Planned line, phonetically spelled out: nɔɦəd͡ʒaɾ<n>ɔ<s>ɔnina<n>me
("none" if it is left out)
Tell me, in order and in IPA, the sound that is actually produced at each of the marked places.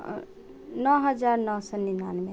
n, s, n

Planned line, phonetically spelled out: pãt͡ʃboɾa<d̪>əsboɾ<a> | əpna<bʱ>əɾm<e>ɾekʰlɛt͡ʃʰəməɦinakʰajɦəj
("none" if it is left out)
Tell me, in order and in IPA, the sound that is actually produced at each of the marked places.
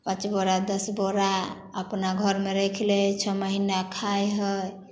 d̪, a, ɡʱ, e

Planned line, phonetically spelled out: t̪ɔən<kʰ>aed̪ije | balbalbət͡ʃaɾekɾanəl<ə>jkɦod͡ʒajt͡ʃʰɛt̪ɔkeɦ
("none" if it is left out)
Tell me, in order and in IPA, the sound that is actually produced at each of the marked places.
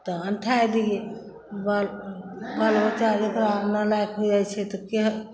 ʈʰ, a

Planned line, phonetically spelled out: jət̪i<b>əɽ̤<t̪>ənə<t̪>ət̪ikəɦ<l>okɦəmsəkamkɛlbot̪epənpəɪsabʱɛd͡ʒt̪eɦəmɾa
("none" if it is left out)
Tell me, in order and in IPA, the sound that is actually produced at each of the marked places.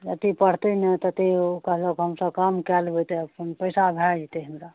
p, t̪, t̪, l

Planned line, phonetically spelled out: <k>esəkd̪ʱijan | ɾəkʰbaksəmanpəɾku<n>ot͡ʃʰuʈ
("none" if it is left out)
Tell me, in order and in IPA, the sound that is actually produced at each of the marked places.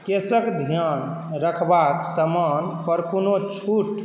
k, n

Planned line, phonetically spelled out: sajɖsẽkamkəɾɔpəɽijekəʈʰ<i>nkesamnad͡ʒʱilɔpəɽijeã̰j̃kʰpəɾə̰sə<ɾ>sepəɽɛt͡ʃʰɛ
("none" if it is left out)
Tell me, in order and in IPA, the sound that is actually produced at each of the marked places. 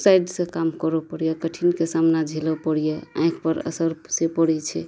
i, ɾ

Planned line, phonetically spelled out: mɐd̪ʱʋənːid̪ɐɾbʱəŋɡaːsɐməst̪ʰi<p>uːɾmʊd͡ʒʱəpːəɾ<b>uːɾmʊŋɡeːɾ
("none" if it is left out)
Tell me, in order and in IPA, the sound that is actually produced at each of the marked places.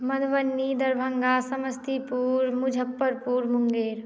p, p

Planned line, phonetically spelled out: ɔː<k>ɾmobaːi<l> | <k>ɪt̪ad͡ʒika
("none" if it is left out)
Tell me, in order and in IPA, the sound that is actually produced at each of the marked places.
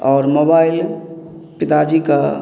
none, l, p

